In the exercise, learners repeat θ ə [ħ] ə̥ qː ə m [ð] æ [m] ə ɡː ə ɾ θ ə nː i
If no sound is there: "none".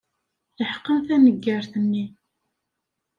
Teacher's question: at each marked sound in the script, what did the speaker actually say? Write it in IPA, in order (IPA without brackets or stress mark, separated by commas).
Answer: ħ, θ, n